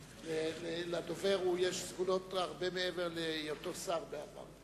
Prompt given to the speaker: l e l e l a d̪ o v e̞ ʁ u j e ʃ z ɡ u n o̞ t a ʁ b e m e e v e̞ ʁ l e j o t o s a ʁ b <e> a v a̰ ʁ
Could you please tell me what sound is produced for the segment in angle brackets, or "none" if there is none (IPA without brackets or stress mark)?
e